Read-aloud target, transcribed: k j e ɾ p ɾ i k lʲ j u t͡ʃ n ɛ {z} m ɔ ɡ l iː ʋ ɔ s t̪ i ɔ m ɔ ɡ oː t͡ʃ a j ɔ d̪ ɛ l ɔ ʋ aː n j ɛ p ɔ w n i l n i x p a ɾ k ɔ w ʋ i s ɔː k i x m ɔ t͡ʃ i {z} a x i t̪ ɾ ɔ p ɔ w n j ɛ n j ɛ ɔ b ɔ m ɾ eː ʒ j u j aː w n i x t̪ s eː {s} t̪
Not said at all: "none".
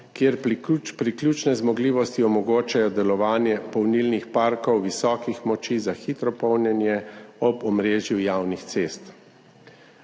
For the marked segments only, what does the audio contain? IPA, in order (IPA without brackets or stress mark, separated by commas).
z, z, s